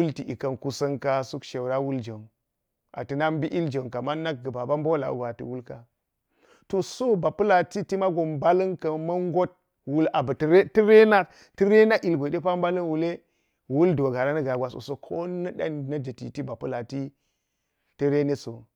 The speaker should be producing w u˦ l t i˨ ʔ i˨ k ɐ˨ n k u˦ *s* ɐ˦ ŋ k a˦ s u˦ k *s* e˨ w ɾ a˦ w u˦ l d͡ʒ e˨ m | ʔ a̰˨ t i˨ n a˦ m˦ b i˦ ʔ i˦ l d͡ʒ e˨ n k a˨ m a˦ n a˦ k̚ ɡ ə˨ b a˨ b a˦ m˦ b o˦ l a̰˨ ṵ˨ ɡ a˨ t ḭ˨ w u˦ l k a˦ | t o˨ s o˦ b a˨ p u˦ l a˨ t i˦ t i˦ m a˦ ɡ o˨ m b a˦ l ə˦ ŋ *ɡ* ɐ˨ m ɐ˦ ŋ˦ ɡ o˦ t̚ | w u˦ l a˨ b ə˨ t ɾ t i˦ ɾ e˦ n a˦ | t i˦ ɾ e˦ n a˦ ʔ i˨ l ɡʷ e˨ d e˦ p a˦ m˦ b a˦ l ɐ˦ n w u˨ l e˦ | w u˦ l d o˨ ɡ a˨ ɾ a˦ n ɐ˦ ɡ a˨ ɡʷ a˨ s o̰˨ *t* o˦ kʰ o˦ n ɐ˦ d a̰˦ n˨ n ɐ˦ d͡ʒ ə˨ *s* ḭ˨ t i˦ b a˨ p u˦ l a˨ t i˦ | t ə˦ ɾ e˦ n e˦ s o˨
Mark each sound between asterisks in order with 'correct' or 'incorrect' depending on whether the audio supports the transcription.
correct, incorrect: ʃ, incorrect: k, incorrect: s, incorrect: t

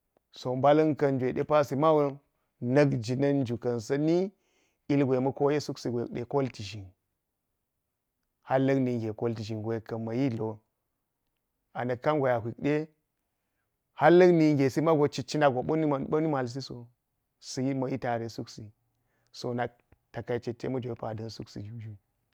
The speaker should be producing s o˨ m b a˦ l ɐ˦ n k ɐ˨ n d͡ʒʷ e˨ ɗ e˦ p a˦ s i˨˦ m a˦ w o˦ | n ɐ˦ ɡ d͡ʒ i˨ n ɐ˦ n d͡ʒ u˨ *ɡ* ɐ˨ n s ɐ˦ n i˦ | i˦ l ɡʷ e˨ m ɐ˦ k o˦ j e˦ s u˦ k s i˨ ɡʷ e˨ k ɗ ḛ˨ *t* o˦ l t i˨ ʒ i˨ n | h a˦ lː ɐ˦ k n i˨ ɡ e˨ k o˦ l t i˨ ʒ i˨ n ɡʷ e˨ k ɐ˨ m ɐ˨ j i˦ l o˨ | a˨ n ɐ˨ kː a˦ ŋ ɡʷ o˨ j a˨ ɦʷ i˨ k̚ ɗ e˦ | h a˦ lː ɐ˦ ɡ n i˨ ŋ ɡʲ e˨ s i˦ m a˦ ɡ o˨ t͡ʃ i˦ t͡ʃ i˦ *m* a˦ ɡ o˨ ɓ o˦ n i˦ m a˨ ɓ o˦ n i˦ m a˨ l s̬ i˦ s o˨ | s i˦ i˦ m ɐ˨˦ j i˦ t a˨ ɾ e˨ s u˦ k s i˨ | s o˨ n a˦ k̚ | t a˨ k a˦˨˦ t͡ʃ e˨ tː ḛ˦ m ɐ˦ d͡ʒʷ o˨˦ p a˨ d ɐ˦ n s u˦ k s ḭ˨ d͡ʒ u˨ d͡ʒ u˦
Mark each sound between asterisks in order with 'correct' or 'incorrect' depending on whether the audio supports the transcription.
incorrect: k, incorrect: k, incorrect: n

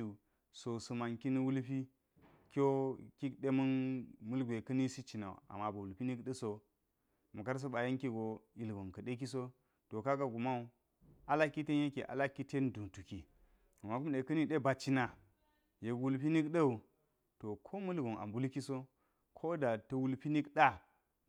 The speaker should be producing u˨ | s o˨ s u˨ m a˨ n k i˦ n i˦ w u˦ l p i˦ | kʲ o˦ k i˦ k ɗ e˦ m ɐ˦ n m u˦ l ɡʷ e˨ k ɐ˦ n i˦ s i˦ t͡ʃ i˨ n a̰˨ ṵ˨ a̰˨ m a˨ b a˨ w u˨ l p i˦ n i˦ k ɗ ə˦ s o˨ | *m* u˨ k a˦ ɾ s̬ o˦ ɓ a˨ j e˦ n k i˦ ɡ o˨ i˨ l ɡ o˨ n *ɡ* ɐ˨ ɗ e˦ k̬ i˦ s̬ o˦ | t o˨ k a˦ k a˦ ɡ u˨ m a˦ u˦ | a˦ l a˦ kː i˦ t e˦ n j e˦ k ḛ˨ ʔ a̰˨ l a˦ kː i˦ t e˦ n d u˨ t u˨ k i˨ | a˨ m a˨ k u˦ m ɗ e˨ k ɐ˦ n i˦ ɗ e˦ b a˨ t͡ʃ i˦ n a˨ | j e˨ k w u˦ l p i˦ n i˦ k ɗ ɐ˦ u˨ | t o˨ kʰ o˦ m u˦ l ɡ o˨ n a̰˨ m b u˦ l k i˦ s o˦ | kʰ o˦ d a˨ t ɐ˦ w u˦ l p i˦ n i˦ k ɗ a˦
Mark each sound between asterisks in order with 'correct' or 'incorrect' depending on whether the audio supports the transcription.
correct, incorrect: k

